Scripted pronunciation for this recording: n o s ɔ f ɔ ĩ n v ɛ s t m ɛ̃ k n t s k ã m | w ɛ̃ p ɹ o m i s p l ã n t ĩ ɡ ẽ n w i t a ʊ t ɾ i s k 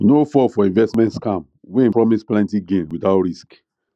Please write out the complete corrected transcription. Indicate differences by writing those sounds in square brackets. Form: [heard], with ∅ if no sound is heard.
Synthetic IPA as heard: n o [f] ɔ f ɔ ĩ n v ɛ s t m ɛ̃ [∅] n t s k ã m | w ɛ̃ p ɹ [ɔ] m i s p l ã n t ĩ ɡ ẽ n w i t a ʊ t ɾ i s k